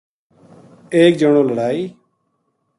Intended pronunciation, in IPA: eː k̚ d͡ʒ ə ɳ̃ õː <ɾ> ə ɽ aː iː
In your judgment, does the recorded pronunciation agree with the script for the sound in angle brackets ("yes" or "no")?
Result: no